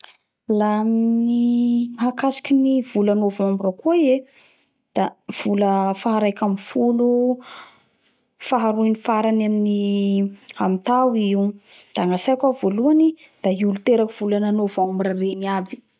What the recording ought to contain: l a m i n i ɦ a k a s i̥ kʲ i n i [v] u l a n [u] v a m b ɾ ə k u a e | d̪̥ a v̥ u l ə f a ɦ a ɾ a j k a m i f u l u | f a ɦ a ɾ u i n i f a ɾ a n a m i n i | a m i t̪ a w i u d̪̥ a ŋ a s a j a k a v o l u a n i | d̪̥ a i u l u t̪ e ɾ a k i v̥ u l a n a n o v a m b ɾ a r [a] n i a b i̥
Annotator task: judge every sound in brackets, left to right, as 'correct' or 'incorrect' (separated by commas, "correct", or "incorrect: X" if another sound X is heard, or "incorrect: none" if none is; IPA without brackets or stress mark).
correct, incorrect: o, incorrect: e